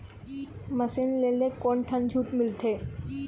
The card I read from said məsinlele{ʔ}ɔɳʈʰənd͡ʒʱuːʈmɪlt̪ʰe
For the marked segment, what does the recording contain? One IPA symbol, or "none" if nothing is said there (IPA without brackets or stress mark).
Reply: k